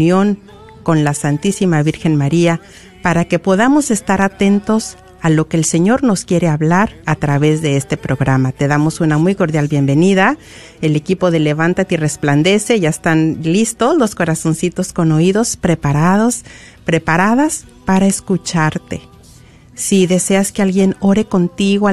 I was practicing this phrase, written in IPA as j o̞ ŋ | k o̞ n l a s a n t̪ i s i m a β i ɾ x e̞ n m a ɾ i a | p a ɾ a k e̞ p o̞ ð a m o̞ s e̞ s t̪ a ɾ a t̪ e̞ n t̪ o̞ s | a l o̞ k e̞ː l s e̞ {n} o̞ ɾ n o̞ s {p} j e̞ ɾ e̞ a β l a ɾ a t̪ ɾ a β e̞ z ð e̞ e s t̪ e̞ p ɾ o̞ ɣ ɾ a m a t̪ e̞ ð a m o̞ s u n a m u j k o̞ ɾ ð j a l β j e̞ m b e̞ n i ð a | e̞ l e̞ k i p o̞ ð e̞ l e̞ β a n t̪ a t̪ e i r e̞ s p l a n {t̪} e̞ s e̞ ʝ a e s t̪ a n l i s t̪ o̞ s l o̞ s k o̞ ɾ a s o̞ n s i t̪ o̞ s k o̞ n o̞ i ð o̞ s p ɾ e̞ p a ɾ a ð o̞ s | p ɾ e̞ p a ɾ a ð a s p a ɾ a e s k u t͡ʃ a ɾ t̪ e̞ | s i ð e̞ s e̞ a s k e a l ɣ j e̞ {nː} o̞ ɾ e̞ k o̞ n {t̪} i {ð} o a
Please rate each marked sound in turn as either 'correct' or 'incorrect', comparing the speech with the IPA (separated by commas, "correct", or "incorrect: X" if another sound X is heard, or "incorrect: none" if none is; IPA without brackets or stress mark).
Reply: incorrect: ɲ, incorrect: k, incorrect: d̪, incorrect: n, correct, incorrect: ɣ